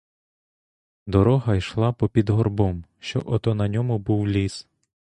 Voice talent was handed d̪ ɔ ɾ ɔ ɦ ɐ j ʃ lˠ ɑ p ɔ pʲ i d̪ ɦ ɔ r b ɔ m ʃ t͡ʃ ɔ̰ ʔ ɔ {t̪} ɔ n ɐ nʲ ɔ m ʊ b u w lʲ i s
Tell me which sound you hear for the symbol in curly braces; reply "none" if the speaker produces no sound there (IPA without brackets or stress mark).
t̪